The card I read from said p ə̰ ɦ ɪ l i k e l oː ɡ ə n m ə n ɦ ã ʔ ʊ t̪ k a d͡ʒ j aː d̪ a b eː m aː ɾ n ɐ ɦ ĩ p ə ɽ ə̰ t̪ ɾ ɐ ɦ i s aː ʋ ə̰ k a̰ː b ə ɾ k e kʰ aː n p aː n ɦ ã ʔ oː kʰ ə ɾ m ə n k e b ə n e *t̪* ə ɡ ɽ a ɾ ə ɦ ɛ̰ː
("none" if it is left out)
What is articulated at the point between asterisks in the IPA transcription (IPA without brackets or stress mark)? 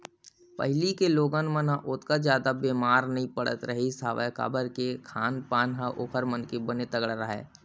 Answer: t̪